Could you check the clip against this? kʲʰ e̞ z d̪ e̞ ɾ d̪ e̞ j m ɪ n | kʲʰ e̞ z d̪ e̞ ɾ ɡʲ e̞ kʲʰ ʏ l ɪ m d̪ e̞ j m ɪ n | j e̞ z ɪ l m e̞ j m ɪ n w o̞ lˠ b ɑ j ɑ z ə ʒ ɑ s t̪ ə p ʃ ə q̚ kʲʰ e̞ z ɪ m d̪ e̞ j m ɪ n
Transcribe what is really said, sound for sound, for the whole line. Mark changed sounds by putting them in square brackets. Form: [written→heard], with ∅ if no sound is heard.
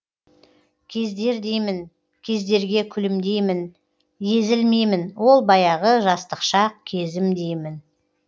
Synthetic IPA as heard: kʲʰ e̞ z d̪ e̞ ɾ d̪ e̞ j m ɪ n | kʲʰ e̞ z d̪ e̞ ɾ ɡʲ e̞ kʲʰ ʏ l ɪ m d̪ e̞ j m ɪ n | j e̞ z ɪ l m e̞ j m ɪ n w o̞ lˠ b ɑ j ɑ [z→ʁ] ə ʒ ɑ s t̪ ə [p→q] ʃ [ə→ɑ] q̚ kʲʰ e̞ z ɪ m d̪ e̞ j m ɪ n